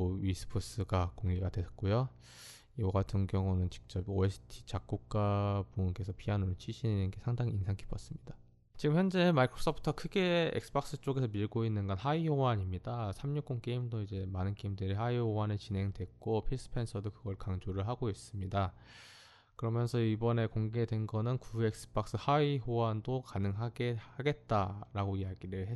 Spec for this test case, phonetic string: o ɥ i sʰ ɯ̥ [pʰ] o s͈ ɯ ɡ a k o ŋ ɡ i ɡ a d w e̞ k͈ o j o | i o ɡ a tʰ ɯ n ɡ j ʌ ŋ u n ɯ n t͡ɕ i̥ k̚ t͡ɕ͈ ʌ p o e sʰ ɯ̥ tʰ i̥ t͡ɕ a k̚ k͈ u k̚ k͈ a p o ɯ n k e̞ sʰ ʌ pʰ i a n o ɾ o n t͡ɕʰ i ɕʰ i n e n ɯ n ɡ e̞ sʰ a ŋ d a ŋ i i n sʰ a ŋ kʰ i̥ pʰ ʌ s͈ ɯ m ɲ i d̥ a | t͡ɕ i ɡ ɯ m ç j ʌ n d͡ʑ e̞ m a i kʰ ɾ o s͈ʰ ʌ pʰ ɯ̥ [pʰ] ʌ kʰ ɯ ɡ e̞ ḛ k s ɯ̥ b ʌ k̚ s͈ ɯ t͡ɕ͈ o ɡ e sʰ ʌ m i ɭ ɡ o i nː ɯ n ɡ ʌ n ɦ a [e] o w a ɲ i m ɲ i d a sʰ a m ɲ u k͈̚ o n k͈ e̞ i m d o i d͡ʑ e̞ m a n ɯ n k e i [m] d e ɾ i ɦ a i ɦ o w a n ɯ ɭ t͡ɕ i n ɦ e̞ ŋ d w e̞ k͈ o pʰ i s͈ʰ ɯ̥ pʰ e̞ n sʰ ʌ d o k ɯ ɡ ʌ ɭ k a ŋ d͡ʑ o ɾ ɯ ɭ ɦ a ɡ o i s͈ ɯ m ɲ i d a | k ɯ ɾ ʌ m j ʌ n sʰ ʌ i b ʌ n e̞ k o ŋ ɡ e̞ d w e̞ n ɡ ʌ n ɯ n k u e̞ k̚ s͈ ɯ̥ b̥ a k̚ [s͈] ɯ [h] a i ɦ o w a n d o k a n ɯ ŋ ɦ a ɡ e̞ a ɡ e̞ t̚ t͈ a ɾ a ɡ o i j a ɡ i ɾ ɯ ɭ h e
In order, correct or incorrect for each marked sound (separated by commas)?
correct, incorrect, incorrect, correct, correct, correct